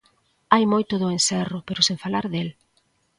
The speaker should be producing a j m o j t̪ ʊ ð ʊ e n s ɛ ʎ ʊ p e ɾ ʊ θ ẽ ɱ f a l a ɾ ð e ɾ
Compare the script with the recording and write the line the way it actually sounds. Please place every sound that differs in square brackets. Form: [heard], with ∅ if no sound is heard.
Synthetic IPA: a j m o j t̪ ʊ ð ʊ e n s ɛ [r] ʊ p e ɾ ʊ [s] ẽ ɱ f a l a ɾ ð e [l]